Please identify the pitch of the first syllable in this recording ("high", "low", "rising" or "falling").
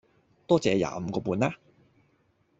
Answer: high